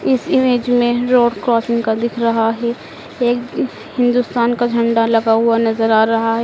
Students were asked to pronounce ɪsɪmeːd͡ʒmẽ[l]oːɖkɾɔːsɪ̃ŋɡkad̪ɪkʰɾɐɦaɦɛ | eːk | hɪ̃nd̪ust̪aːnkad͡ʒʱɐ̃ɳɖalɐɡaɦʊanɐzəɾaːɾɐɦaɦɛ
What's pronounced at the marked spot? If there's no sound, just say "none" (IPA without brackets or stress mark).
ɾ